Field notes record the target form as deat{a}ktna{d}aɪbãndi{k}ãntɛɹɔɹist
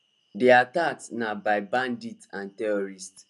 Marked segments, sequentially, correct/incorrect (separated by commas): correct, incorrect, incorrect